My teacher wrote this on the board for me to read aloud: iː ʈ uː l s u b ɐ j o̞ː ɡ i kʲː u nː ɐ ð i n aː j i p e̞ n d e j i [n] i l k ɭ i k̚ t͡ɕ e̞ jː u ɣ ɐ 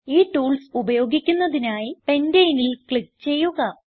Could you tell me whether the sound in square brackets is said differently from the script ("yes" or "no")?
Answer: no